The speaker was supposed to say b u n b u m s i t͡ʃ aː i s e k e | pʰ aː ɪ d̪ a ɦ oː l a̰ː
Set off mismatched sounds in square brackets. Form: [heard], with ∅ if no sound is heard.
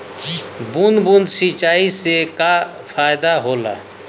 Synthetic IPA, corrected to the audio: b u n b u [n] s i t͡ʃ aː i s e k [a] | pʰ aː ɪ d̪ a ɦ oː l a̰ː

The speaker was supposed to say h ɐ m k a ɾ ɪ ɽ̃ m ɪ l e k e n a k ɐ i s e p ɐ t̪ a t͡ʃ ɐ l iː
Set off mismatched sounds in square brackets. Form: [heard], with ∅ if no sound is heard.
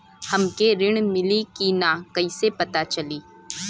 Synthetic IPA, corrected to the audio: h ɐ m k [e] ɾ ɪ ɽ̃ m ɪ l [i] k [i] n a k ɐ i s e p ɐ t̪ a t͡ʃ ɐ l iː

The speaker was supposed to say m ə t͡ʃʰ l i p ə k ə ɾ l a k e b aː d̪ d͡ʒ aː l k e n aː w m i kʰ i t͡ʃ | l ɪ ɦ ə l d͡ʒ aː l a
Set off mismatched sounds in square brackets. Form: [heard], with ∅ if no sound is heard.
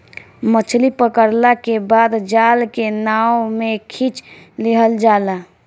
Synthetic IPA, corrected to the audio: m ə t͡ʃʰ l i p ə k ə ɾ l a k e b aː d̪ d͡ʒ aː l k e n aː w m [e] kʰ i t͡ʃ | l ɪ ɦ ə l d͡ʒ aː l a

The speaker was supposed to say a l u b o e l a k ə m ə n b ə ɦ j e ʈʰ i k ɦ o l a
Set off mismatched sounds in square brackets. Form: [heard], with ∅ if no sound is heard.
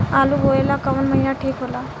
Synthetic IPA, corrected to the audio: a l u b o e l a k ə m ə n [m] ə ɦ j [a] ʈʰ i k ɦ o l a

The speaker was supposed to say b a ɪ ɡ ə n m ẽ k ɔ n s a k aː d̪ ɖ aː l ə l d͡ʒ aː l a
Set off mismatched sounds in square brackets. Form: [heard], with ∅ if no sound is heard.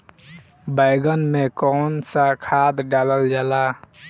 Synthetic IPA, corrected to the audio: b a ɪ ɡ ə n m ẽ k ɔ n s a [kʰ] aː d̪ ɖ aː l ə l d͡ʒ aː l a

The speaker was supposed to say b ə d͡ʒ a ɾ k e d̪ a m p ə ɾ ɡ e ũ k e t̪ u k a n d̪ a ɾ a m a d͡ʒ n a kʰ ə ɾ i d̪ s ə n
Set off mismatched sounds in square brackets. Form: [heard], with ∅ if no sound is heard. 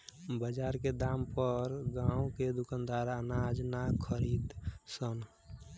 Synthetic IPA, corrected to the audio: b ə d͡ʒ a ɾ k e d̪ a m p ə ɾ ɡ [a] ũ k e [d̪] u k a n d̪ a ɾ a [n] a d͡ʒ n a kʰ ə ɾ i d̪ s ə n

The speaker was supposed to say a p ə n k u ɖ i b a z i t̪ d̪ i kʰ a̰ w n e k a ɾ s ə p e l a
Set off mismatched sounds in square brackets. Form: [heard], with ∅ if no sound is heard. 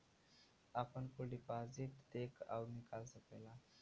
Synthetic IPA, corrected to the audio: a p ə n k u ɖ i [p] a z i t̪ d̪ [e] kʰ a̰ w n [i] k a [l] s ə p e l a

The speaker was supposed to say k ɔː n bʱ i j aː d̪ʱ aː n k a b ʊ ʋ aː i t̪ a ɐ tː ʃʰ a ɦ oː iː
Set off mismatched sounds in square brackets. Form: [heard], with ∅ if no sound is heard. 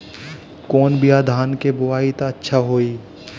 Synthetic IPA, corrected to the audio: k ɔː n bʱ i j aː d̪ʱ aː n k [e] b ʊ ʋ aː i t̪ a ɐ tː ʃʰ a ɦ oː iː

